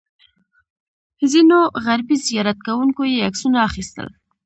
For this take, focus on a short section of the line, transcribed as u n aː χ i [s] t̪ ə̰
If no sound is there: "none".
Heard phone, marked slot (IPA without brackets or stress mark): s